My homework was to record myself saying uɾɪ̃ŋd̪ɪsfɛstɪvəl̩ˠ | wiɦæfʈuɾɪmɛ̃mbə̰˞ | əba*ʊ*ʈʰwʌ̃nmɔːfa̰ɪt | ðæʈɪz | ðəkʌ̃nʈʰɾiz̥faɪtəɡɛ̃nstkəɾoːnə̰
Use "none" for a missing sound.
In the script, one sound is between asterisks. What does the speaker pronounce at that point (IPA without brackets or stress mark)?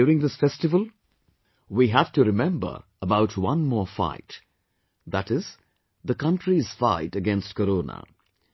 ʊ